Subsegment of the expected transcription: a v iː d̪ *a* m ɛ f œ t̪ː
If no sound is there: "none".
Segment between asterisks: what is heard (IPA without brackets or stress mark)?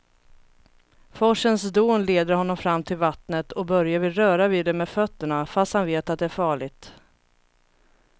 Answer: ɛ